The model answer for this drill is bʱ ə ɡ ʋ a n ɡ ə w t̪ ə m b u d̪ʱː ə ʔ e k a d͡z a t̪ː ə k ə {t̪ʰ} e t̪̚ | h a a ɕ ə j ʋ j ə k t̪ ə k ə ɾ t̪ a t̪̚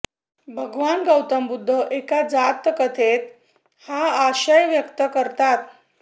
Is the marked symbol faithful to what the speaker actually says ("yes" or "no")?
yes